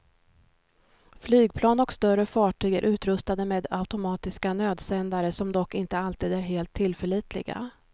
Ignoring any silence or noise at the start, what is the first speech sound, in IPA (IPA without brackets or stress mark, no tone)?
f